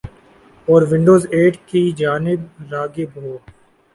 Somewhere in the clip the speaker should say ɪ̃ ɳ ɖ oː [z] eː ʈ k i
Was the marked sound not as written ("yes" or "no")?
no